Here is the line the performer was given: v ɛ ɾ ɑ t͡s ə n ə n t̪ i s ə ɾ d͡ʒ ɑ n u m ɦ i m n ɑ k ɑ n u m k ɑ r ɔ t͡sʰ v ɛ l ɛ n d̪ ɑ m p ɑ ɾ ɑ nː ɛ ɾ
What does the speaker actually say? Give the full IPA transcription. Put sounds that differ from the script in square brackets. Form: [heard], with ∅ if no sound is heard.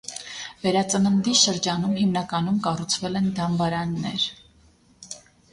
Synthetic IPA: v ɛ ɾ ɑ t͡s ə n ə n [d̪] i [ʃ] ə ɾ d͡ʒ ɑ n u m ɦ i m n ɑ k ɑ n u m k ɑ r [u] t͡sʰ v ɛ l ɛ n d̪ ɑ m [b] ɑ ɾ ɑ nː ɛ ɾ